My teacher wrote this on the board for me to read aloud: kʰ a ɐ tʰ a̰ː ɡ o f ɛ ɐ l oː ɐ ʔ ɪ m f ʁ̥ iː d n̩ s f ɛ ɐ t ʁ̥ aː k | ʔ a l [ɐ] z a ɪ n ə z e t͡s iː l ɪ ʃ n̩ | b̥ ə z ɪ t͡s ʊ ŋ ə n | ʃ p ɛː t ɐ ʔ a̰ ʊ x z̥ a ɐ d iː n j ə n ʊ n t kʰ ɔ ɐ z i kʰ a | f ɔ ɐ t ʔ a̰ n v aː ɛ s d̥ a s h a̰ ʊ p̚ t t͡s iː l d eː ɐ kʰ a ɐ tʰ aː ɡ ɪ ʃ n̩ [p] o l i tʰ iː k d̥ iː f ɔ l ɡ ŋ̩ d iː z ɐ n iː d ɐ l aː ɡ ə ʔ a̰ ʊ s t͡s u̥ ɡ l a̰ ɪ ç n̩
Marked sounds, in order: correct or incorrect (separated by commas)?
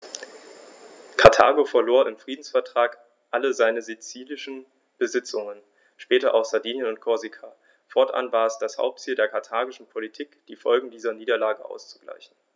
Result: incorrect, incorrect